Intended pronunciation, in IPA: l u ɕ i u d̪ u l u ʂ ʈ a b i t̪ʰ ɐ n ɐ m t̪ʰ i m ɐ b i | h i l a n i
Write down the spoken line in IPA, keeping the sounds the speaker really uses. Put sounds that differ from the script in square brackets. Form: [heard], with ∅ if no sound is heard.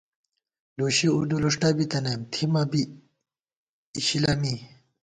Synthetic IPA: l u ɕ i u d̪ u l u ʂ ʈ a b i [t̪] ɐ n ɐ m t̪ʰ i m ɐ b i | [ɕ] i l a [m] i